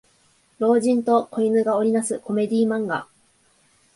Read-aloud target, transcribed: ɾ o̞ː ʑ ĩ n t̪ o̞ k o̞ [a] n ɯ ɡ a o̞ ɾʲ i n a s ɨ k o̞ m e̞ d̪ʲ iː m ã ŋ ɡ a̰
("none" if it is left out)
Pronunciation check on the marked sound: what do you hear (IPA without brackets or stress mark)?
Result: i